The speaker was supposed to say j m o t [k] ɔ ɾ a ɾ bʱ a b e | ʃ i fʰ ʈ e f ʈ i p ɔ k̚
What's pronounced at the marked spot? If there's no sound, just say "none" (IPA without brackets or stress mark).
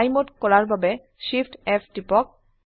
k